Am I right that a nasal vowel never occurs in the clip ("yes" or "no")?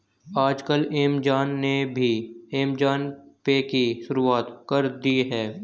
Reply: yes